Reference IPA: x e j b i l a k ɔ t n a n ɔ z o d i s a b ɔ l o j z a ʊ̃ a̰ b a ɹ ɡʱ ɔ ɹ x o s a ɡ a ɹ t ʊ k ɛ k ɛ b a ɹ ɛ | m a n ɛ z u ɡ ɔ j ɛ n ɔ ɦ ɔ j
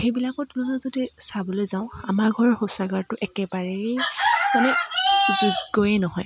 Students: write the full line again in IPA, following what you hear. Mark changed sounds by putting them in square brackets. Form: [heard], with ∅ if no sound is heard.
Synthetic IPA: x e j b i l a k ɔ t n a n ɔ z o d i s a b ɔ l o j z a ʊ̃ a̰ [m] a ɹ ɡʱ ɔ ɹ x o s a ɡ a ɹ t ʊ [ʔ] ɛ k ɛ b a ɹ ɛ | m a n ɛ z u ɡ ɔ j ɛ n ɔ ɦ ɔ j